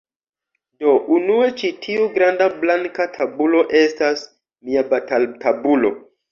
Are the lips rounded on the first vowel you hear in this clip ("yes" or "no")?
yes